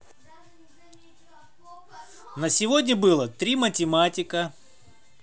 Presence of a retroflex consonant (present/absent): absent